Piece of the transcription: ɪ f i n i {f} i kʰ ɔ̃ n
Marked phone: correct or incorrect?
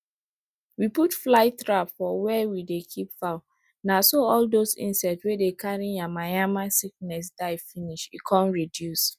incorrect